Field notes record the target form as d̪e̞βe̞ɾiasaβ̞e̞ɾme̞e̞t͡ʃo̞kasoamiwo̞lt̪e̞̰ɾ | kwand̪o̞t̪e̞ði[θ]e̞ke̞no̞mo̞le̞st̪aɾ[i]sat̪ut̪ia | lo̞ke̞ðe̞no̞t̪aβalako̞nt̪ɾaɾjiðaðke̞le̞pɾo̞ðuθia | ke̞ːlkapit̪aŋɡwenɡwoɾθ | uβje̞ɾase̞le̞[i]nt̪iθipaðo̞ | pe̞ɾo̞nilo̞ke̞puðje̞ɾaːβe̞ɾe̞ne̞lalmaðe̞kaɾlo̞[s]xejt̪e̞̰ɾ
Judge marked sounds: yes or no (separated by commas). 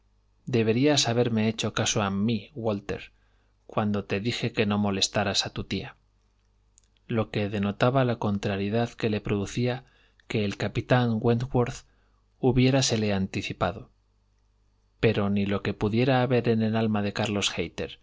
no, no, no, yes